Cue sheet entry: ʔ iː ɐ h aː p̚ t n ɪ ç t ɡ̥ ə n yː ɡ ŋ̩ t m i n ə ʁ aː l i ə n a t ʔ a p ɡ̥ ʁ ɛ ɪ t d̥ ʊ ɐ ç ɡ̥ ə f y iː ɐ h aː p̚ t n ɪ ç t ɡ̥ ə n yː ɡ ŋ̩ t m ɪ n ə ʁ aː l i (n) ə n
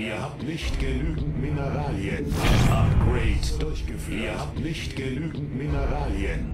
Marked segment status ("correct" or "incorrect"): incorrect